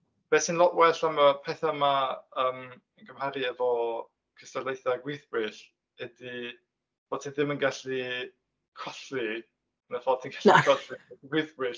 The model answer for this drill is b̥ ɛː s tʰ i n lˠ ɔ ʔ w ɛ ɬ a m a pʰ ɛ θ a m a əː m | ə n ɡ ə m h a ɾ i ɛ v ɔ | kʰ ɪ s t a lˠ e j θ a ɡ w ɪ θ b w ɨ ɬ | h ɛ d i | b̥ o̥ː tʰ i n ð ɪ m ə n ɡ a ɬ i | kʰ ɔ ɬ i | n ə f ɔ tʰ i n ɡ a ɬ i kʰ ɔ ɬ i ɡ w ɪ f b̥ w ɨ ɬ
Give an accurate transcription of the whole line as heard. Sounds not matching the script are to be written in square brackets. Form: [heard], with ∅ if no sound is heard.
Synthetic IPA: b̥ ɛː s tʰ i n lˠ ɔ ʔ w ɛ ɬ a m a pʰ ɛ θ a m a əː m | ə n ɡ ə m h a ɾ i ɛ v ɔ | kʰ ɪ s t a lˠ e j θ a ɡ w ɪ θ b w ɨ ɬ | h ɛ d i | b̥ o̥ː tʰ i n ð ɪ m ə n ɡ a ɬ i | kʰ ɔ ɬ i | n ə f ɔ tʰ i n ɡ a ɬ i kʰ ɔ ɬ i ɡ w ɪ [θ] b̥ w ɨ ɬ